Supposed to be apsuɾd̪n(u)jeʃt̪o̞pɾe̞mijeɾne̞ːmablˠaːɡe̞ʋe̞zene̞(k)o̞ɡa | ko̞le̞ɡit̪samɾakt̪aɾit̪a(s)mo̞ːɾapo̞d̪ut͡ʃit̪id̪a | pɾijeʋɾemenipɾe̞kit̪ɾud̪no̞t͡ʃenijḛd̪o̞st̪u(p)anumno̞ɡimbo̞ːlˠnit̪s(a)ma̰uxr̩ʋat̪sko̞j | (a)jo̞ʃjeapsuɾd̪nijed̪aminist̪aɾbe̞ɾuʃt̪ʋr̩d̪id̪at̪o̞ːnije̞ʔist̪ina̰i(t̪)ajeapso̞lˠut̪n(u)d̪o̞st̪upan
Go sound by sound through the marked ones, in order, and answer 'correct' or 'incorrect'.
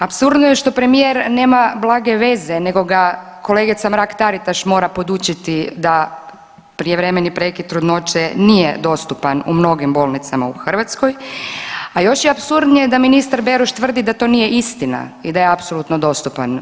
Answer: incorrect: o, incorrect: ɡ, incorrect: ʃ, correct, correct, correct, incorrect: d̪, incorrect: o

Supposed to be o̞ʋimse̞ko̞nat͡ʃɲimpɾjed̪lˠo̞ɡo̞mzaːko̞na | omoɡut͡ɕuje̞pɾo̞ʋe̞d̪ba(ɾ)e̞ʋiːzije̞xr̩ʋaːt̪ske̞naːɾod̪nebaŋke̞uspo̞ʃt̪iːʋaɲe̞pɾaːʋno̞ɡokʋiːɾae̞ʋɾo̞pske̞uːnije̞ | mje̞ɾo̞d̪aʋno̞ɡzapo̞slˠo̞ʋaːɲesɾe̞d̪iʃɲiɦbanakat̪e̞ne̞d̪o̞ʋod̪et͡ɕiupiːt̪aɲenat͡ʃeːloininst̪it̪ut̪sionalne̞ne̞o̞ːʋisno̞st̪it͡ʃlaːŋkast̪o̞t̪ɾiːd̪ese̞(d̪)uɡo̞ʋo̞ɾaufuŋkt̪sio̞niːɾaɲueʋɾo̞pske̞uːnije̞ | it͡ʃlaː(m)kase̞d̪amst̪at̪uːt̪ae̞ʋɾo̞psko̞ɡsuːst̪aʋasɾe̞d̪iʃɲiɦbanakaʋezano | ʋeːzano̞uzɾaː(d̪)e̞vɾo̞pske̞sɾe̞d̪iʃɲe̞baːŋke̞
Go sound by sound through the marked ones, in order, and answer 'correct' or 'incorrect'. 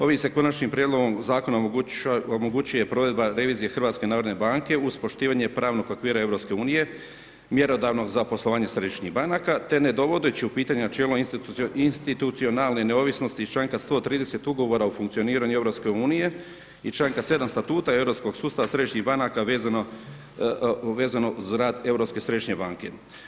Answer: correct, incorrect: t̪, incorrect: ŋ, correct

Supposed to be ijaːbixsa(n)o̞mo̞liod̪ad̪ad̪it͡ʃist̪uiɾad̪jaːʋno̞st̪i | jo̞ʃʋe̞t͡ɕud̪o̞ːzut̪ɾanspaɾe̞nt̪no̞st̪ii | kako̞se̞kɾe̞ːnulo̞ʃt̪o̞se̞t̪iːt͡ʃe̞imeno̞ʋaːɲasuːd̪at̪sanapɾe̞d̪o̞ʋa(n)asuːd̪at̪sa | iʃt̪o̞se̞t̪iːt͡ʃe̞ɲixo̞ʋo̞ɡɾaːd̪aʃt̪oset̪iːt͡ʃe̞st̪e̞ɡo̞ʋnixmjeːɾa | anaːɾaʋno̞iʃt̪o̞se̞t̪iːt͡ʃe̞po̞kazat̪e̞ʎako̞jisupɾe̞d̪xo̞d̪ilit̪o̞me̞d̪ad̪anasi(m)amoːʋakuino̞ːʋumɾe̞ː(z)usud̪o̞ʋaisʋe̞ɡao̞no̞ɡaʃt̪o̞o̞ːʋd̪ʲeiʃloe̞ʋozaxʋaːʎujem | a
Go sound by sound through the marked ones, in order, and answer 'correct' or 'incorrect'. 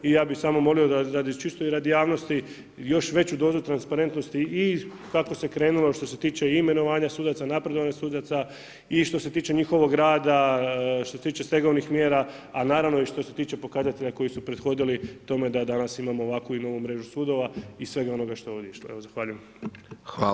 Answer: incorrect: m, incorrect: ɲ, correct, incorrect: ʒ

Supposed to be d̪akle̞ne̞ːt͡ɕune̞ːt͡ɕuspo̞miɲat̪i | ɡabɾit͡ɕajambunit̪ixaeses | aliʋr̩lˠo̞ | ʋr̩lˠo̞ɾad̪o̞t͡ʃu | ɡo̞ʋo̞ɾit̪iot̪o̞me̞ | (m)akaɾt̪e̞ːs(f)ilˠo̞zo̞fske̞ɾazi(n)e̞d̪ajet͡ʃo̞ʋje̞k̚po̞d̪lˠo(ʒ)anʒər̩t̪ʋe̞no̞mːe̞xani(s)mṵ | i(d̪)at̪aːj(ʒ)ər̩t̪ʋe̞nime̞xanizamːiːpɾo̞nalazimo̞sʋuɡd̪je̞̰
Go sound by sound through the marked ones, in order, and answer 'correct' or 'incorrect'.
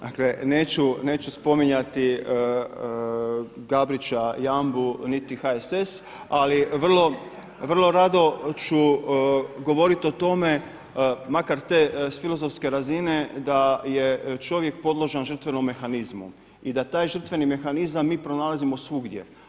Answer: correct, correct, correct, correct, incorrect: z, correct, correct

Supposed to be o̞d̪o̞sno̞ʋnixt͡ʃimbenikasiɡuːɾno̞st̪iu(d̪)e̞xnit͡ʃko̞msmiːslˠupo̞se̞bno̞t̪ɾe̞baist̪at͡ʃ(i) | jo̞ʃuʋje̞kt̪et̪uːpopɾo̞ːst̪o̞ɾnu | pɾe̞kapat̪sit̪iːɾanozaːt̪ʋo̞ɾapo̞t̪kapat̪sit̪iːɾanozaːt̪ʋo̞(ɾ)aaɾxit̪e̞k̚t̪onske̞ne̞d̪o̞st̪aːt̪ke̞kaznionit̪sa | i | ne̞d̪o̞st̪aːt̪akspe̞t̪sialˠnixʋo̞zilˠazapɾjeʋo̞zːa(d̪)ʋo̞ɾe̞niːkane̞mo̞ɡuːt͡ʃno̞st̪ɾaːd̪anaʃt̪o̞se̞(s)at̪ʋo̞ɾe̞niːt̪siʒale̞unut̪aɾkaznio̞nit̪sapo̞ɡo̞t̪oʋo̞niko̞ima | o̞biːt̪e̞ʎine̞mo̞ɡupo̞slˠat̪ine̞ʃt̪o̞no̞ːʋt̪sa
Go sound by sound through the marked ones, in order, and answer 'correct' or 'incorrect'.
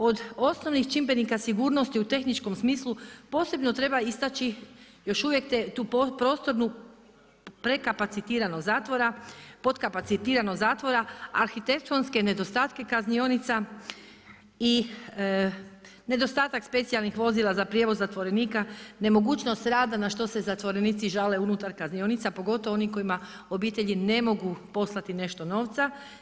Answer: incorrect: t̪, correct, correct, incorrect: t̪, incorrect: z

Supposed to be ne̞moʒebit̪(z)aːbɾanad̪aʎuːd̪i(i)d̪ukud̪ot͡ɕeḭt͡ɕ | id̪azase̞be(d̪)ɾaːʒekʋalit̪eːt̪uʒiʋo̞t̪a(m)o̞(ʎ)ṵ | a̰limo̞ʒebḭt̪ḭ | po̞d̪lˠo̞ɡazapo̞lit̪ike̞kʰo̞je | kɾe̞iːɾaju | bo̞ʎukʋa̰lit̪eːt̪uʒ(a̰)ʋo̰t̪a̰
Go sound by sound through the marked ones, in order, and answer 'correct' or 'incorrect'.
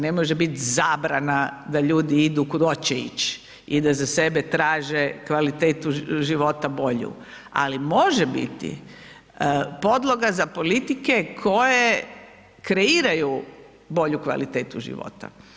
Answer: correct, correct, incorrect: t̪, incorrect: b, correct, incorrect: ḭ

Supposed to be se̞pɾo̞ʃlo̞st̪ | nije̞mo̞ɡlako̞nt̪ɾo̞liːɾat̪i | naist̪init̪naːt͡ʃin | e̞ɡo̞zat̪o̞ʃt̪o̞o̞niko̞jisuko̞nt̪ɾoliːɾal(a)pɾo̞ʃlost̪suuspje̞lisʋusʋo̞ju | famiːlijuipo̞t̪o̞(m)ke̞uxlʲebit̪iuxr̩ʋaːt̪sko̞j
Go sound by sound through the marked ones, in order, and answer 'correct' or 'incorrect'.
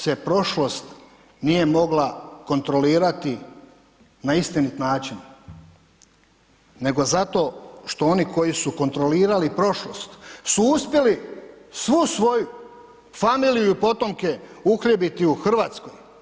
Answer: incorrect: i, correct

